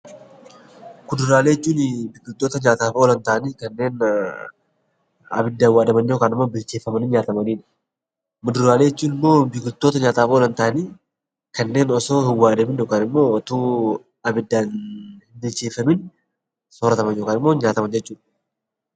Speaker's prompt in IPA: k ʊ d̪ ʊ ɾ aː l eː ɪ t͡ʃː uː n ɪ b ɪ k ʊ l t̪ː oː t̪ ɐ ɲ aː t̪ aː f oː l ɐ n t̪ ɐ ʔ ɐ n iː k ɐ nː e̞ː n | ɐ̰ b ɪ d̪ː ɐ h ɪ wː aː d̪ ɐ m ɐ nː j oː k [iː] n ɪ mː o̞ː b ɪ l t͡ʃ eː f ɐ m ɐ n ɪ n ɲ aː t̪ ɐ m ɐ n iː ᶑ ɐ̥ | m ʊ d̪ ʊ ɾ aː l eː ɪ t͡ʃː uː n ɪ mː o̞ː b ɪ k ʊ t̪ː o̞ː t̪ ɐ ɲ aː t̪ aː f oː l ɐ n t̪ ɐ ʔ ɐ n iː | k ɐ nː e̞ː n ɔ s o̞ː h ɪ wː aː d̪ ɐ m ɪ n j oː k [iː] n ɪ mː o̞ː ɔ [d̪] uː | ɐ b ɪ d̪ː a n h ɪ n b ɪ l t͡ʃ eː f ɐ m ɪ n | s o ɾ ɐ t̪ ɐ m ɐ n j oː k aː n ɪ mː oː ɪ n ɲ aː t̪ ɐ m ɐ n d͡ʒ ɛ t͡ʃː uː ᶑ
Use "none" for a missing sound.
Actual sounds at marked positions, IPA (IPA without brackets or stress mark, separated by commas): aː, aː, t̪